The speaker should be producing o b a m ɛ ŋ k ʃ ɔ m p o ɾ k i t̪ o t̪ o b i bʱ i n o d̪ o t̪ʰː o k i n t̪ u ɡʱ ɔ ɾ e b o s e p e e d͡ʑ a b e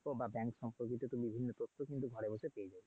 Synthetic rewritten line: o b a b ɛ ŋ k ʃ ɔ m p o ɾ k i t̪ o t̪ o b i bʱ i nː o t̪ o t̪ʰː o k i n t̪ u ɡʱ ɔ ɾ e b o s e p e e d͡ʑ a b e